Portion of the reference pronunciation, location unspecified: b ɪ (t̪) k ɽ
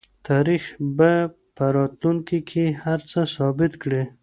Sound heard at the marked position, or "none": t̪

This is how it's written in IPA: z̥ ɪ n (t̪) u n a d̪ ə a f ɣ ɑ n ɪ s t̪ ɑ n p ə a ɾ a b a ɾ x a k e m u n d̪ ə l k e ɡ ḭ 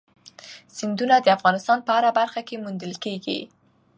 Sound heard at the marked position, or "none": d̪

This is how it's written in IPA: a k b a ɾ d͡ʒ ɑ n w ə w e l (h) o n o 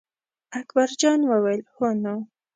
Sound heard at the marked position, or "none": h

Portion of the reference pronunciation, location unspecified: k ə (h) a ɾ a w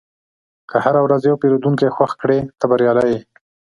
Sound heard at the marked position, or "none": h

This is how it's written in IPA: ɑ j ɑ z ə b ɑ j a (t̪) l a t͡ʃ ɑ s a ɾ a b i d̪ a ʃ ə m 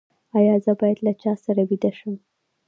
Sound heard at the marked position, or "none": d̪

